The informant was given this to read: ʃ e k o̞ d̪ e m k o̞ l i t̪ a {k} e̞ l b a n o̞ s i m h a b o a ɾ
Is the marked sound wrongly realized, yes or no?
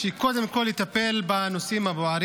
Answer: yes